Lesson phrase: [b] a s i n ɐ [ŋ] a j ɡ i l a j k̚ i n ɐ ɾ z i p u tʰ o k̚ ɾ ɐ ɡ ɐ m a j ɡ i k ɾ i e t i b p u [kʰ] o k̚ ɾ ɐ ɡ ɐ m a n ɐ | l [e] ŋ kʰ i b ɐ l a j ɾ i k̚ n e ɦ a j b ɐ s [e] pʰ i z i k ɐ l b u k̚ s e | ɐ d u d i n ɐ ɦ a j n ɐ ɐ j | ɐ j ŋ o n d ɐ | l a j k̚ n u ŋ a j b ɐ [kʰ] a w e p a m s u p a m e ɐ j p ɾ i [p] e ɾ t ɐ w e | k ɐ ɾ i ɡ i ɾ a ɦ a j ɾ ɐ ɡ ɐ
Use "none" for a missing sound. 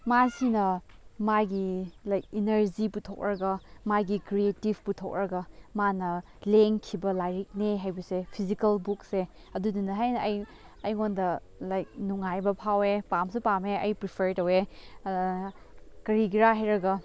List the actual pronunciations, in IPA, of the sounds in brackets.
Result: m, m, tʰ, e, e, pʰ, pʰ

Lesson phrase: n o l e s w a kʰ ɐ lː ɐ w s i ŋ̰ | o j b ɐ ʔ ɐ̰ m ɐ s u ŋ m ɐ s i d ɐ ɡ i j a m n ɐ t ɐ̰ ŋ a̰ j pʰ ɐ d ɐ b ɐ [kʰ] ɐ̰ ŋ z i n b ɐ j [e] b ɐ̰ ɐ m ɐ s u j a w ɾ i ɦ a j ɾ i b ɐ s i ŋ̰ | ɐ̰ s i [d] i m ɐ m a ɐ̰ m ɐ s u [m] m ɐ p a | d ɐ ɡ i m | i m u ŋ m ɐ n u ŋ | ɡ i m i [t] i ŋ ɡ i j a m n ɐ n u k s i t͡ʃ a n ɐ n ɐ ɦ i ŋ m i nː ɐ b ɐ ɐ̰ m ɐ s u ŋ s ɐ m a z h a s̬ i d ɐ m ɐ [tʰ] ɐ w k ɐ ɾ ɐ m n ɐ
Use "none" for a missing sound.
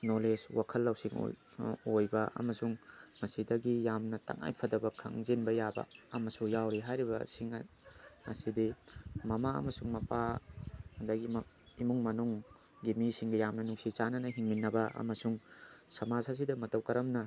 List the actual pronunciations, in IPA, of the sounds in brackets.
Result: kʰ, a, d, ŋ, s, t

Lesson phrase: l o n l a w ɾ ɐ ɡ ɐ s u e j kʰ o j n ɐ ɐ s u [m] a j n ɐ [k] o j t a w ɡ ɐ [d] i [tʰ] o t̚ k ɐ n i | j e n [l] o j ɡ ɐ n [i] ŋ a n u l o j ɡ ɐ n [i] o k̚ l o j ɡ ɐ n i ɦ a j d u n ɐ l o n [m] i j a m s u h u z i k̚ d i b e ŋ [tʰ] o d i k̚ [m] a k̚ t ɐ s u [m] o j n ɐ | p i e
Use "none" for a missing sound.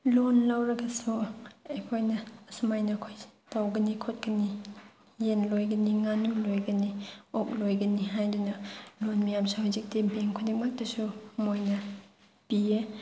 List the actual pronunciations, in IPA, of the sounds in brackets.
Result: m, kʰ, n, kʰ, l, i, i, m, kʰ, m, m

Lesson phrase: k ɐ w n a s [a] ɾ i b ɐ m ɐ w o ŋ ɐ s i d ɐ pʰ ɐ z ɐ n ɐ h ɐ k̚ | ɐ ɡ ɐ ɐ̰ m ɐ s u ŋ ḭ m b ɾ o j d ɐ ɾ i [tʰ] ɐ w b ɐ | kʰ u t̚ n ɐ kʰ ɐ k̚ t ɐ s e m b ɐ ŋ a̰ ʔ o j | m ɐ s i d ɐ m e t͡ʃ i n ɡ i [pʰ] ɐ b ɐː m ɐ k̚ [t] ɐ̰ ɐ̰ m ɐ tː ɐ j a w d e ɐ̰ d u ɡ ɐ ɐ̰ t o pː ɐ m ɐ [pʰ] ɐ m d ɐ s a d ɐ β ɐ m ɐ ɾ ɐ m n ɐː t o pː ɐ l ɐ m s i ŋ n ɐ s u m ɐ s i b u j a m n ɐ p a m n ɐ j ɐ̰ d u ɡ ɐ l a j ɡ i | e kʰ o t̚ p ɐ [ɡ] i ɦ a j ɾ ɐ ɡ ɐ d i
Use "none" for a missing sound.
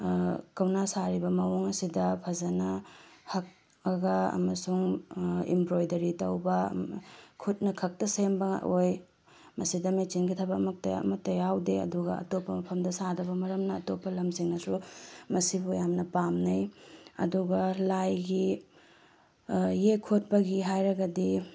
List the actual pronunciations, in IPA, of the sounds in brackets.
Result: a, t, tʰ, t, pʰ, ɡ

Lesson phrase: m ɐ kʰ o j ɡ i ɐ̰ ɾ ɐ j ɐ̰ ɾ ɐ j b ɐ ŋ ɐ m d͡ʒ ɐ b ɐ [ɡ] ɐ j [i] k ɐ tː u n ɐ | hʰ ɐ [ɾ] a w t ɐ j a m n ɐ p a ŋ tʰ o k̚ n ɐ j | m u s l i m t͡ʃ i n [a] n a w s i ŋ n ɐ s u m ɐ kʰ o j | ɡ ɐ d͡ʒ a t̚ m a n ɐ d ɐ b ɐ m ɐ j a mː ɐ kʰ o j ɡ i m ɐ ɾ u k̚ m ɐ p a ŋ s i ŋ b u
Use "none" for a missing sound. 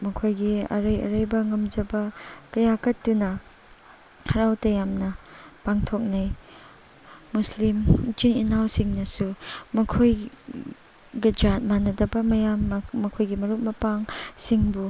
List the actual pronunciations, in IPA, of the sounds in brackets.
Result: k, a, ɾ, i

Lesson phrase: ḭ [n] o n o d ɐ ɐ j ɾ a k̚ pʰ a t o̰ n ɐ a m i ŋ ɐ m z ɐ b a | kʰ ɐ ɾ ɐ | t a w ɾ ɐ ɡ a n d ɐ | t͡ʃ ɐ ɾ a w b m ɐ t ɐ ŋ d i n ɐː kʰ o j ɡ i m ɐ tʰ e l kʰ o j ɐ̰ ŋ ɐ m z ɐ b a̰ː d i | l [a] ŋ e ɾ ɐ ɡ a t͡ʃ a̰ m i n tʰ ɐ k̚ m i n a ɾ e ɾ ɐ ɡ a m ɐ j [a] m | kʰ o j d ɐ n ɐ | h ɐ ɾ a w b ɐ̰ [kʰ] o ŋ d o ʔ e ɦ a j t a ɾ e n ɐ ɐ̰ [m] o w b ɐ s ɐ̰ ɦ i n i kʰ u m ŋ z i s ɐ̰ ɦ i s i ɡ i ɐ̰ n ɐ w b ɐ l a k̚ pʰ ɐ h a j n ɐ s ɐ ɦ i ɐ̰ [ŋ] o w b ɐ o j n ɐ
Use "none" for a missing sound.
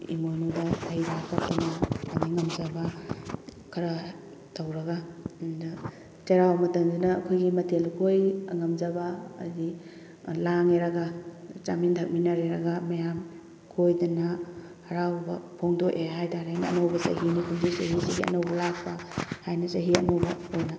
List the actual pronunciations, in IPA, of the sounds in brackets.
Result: m, a, a, pʰ, n, n

